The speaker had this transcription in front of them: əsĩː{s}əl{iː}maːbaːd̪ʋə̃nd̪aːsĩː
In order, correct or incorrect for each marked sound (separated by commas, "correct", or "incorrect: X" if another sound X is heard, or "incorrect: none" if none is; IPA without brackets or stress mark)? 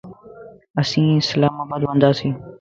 correct, incorrect: aː